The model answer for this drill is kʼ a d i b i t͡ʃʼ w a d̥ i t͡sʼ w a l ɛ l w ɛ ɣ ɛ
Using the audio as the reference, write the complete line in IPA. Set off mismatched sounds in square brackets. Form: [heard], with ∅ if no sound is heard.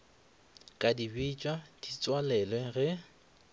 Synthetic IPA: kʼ a d i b i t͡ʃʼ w a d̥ i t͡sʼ w a l ɛ l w ɛ ɣ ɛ